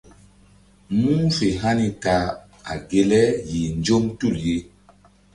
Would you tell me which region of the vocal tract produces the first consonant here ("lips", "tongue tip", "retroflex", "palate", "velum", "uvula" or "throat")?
lips